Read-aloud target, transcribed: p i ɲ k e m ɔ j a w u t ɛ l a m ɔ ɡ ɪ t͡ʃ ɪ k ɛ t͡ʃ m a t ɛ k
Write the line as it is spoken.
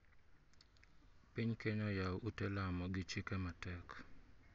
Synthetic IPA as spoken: p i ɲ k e ɲ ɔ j a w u t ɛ l a m ɔ ɡ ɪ t͡ʃ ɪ k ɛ m a t ɛ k